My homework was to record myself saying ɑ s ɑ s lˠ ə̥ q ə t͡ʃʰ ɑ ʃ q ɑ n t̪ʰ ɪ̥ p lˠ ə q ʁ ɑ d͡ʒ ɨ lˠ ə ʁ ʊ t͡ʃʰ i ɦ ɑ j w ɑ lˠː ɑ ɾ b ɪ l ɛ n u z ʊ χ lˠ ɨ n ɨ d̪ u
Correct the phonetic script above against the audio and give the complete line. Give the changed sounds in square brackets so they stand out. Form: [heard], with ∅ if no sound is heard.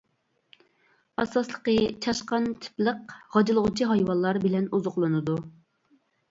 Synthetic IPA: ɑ s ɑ s lˠ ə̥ q ə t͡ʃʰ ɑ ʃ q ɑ n t̪ʰ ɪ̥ p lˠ ə q ʁ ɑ d͡ʒ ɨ lˠ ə ʁ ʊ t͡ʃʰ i ɦ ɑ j w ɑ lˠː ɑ ɾ b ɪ l ɛ n u z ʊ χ lˠ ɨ n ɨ d̪ u